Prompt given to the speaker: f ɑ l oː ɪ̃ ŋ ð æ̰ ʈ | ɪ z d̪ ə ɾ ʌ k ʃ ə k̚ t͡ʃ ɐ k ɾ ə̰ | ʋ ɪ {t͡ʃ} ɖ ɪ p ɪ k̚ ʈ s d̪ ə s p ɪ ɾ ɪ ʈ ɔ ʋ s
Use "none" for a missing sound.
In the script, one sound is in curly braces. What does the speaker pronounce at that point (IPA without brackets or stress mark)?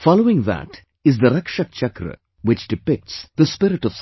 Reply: t͡ʃ